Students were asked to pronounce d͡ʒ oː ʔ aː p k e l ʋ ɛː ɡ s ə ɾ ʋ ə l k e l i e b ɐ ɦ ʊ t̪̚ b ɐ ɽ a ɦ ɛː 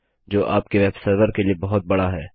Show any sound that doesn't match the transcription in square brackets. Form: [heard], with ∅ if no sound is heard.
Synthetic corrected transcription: d͡ʒ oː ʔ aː p k e [∅] ʋ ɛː [b] s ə ɾ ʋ ə [ɾ] k e l i e b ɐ ɦ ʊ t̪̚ b ɐ ɽ a ɦ ɛː